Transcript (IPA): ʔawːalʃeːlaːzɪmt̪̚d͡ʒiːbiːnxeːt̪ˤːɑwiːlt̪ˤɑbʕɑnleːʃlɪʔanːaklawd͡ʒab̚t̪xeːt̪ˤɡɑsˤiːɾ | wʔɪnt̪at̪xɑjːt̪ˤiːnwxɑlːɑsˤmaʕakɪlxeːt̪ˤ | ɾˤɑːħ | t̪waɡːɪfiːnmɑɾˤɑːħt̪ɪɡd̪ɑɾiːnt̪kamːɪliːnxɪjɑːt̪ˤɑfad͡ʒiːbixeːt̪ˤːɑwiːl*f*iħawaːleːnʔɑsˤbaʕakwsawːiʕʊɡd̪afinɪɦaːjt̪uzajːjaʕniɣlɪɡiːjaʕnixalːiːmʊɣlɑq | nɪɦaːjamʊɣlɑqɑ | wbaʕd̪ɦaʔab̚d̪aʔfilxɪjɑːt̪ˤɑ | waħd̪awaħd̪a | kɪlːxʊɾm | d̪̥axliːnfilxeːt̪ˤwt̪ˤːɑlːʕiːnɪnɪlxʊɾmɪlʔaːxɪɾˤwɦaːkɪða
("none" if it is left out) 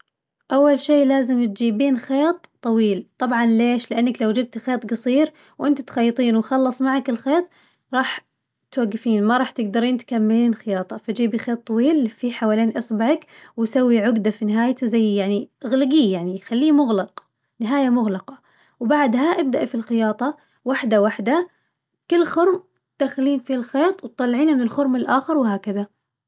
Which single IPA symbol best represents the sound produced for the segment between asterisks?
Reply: f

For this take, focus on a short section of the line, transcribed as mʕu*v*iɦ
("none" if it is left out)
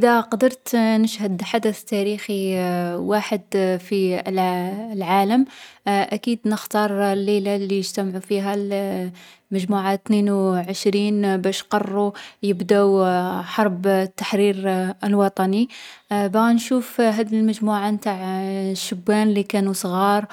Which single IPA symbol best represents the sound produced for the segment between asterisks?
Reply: f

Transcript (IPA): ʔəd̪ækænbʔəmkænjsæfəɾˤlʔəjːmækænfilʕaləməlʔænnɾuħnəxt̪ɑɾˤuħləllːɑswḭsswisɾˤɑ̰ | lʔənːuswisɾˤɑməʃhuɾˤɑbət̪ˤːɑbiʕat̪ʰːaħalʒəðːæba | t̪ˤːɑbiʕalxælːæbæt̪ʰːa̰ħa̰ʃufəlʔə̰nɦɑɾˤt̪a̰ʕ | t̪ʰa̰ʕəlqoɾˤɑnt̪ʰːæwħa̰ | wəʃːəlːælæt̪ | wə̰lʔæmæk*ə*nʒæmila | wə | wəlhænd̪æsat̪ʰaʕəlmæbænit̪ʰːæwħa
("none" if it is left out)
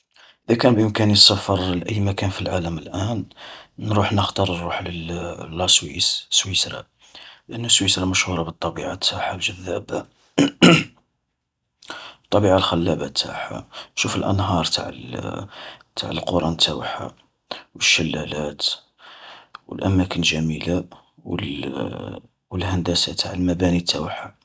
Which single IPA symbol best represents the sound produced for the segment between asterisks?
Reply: ə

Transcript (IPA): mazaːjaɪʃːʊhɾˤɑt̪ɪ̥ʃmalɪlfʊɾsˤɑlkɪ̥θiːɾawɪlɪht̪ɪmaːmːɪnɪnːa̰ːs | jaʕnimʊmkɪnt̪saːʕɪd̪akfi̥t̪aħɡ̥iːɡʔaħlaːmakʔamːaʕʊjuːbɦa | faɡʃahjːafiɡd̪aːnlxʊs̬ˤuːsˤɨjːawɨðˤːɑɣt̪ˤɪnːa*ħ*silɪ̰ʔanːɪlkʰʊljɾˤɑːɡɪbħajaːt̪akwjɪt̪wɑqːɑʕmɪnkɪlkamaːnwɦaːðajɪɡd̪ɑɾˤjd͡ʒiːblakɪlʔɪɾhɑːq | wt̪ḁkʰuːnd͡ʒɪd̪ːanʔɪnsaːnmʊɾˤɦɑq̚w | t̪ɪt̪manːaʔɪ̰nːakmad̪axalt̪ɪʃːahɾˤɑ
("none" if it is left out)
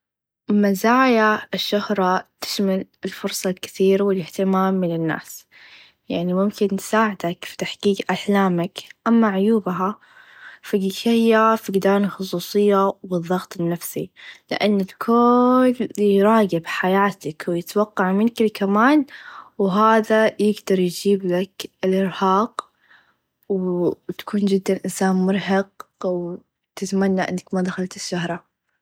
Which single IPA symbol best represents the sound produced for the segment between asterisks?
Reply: f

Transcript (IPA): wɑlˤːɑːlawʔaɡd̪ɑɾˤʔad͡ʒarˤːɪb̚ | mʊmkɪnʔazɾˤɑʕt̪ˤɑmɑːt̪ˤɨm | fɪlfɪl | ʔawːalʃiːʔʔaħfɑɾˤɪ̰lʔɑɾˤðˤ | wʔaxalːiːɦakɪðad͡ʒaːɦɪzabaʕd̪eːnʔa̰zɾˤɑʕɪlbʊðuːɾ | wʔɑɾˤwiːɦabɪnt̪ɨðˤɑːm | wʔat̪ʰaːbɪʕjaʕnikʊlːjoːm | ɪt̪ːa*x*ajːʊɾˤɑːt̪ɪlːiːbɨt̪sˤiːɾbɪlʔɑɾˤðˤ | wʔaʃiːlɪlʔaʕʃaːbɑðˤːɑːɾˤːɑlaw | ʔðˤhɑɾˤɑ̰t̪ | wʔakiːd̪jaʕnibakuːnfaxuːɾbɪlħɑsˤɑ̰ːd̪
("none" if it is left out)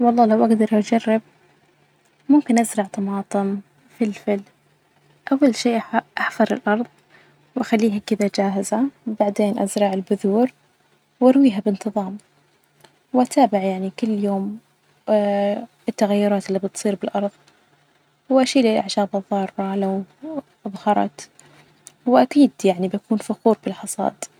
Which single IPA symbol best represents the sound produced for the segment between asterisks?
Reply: ɣ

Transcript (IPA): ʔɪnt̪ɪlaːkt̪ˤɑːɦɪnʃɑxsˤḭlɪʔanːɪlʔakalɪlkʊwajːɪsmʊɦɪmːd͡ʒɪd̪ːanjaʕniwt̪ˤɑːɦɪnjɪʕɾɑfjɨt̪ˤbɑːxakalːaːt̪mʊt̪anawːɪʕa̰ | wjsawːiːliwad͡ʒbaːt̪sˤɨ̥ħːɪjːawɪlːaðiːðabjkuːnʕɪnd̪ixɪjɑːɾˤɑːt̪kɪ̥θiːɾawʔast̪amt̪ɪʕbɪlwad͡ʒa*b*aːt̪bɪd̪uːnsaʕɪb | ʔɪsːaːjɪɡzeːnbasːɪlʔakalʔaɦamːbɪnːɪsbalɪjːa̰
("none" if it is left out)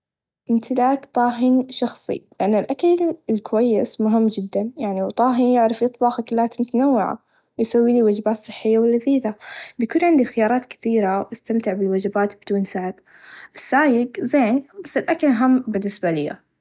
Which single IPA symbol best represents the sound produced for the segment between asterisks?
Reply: b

